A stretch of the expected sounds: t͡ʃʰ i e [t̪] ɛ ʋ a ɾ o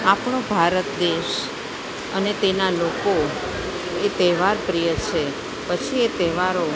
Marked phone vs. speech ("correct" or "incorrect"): correct